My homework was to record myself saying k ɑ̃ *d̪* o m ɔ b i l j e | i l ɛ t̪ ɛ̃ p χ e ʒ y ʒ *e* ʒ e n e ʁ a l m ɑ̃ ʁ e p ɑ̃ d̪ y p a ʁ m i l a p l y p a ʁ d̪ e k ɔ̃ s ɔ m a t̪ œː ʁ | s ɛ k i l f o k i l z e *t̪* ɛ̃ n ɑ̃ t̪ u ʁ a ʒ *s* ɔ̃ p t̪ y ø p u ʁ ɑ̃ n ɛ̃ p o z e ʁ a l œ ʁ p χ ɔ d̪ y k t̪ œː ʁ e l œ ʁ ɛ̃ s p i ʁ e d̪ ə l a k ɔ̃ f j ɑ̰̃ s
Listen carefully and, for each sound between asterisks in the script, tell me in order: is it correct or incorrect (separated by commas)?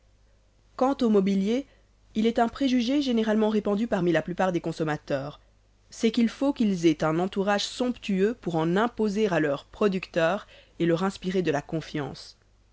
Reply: incorrect, correct, correct, correct